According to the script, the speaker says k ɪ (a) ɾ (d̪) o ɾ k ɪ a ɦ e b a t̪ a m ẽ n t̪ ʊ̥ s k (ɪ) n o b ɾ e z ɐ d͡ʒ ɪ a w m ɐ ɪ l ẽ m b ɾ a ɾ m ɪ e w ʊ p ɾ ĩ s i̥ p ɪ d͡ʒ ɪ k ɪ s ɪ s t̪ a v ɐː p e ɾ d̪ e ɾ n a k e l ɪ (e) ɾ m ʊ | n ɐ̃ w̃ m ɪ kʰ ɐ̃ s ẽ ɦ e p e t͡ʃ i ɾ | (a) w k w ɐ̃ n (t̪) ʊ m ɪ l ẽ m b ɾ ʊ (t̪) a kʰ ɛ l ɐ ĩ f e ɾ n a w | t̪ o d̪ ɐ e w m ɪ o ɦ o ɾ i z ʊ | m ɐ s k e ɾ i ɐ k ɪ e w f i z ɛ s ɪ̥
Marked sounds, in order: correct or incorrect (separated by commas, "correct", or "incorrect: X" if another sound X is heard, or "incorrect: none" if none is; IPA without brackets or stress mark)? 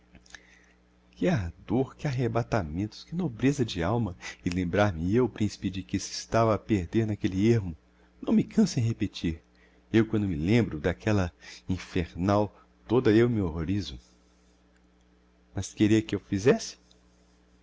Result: correct, correct, correct, correct, incorrect: e, incorrect: d̪, incorrect: d̪